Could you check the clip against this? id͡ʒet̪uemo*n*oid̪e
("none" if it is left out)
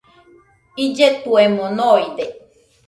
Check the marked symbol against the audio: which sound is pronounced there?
n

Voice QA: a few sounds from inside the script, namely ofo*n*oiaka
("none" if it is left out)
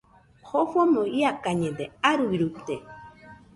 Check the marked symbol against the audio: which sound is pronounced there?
m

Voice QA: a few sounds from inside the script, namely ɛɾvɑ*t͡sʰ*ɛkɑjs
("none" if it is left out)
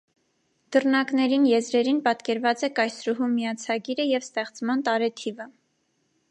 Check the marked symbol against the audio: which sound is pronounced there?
t͡s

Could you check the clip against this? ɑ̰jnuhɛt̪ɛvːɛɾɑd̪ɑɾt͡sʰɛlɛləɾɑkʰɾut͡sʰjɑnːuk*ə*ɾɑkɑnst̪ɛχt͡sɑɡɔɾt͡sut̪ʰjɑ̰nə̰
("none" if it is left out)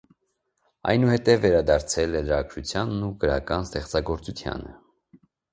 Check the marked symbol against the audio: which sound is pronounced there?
ə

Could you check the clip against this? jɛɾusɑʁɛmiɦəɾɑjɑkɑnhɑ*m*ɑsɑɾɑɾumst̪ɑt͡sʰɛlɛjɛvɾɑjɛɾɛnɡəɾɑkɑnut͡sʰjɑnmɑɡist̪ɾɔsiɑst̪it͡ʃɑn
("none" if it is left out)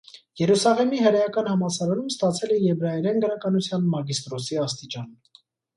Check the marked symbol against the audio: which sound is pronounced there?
m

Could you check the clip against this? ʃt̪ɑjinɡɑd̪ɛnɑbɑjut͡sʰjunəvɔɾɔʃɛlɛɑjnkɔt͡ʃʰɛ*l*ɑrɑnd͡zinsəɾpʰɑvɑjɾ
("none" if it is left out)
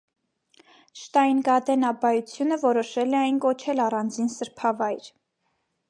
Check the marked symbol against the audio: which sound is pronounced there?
l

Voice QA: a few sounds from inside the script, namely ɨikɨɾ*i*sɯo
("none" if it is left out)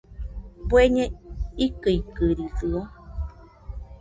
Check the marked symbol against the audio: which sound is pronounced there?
i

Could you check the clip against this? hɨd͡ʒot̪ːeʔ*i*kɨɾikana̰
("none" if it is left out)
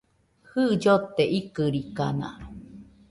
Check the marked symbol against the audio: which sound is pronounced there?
i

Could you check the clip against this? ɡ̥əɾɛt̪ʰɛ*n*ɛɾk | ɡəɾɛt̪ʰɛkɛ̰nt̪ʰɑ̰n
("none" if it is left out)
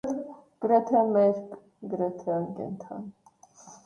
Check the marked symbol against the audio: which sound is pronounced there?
m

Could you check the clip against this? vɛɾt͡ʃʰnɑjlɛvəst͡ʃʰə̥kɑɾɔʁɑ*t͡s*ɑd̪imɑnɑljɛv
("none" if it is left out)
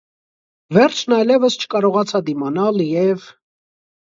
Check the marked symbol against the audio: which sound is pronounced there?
t͡sʰ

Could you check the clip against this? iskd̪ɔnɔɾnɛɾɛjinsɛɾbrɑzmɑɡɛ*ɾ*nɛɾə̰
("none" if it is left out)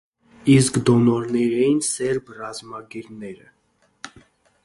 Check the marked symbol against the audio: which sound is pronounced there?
ɾ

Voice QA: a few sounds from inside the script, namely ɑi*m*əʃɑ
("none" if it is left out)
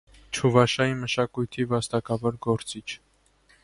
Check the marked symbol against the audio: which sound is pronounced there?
m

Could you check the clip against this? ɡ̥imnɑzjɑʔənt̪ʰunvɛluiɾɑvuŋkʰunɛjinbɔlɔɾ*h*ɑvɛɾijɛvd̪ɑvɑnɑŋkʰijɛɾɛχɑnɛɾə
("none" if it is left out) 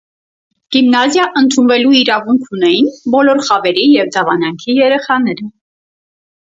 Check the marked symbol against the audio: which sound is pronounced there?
χ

